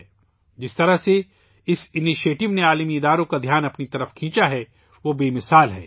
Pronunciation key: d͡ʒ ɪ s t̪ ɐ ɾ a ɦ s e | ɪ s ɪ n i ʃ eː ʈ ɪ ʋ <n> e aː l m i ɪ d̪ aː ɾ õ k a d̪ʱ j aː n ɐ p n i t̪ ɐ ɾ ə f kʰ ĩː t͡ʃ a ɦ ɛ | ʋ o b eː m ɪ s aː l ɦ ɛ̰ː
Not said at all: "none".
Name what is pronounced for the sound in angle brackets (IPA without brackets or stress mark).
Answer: n